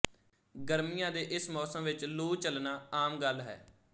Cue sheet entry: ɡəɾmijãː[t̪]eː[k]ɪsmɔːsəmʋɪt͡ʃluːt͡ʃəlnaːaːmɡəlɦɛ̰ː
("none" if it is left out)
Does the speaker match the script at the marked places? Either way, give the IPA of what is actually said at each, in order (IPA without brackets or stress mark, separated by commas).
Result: d̪, ʔ